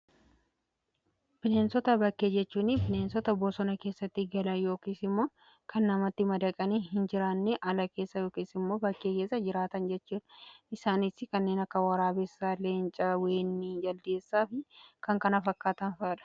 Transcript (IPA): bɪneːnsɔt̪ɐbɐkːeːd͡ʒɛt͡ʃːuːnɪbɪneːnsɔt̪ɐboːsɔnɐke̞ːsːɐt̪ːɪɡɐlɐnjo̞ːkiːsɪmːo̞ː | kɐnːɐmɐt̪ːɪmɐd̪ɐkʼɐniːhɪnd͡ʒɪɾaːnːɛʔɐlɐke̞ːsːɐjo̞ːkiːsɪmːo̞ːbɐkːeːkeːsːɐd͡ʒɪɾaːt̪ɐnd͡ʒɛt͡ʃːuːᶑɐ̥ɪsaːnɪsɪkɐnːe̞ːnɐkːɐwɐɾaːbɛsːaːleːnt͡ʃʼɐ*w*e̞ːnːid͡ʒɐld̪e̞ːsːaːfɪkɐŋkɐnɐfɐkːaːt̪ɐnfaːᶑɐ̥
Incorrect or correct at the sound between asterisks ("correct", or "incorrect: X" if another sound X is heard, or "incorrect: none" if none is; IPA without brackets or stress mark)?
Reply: correct